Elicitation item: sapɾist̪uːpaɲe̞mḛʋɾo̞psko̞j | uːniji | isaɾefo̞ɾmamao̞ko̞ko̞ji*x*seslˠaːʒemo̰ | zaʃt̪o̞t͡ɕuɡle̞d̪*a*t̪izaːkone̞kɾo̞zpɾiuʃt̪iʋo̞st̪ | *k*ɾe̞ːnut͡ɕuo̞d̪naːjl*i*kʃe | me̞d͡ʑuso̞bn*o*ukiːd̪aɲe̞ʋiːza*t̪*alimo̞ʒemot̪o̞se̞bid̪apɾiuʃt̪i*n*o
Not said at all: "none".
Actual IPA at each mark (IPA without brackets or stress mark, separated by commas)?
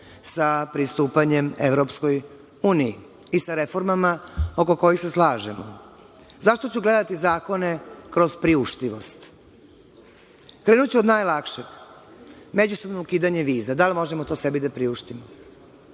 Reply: x, a, k, a, o, d̪, m